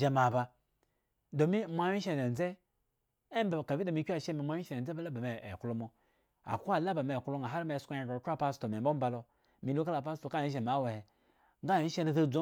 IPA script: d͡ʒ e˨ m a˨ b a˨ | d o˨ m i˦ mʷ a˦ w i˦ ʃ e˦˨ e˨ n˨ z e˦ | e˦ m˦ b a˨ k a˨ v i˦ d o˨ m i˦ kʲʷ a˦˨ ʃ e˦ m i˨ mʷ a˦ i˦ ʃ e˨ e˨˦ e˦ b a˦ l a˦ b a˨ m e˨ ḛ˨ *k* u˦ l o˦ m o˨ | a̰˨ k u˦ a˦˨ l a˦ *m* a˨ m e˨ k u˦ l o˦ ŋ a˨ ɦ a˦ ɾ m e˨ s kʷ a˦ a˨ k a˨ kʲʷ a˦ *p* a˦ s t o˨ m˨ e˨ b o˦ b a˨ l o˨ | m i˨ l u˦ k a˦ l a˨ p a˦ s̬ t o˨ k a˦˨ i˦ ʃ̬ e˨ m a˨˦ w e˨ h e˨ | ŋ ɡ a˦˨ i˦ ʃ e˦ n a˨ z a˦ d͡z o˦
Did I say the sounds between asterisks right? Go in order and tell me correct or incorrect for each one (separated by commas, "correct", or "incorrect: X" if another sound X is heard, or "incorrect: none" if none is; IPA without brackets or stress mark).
correct, incorrect: b, correct